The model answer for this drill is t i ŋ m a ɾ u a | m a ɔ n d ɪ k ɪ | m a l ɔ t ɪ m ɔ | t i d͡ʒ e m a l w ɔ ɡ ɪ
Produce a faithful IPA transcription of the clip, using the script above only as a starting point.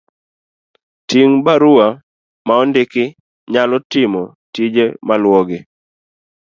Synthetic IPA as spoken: t i ŋ b a ɾ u a | m a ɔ n d ɪ k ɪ | ɲ a l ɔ t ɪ m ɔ | t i d͡ʒ e m a l w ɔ ɡ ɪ